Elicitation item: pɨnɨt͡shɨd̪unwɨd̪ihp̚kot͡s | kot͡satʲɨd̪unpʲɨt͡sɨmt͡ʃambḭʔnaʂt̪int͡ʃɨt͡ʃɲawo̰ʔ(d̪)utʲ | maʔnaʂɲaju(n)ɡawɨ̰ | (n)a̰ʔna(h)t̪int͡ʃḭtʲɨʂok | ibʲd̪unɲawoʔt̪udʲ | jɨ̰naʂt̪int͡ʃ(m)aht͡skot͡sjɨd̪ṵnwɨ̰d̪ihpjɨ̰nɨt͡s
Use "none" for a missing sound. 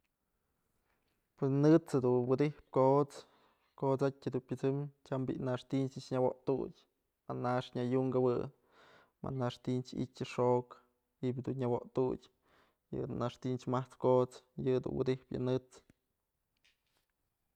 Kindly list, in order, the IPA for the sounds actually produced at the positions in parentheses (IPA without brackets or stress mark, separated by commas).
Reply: t̪, ŋ, m, ʂ, m